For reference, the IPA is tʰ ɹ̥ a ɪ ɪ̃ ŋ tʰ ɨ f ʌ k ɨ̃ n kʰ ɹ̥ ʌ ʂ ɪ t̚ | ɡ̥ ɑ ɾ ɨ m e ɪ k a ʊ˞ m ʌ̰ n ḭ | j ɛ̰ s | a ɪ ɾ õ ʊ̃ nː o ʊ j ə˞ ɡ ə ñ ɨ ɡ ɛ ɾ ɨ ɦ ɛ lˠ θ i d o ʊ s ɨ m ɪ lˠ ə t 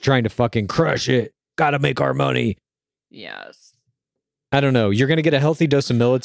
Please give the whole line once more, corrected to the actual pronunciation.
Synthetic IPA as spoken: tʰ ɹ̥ a ɪ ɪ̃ ŋ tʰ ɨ f ʌ k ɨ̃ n kʰ ɹ̥ ʌ ʃ ɪ t̚ | ɡ̥ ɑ ɾ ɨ m e ɪ k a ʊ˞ m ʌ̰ n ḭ | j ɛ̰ s | a ɪ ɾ õ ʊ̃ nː o ʊ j ə˞ ɡ ʌ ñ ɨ ɡ ɛ ɾ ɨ ɦ ɛ lˠ θ i d o ʊ s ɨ m ɪ lˠ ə t